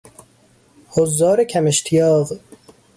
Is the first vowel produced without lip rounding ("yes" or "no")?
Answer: no